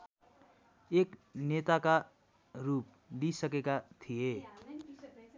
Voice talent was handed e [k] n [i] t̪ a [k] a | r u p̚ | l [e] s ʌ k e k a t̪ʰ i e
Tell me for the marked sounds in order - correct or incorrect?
correct, incorrect, correct, incorrect

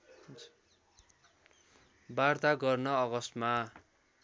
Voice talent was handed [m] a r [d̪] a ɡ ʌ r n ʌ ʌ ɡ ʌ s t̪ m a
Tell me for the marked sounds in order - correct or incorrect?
incorrect, incorrect

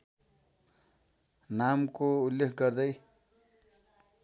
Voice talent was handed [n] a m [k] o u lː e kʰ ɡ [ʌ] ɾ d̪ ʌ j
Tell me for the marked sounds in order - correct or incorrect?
correct, correct, correct

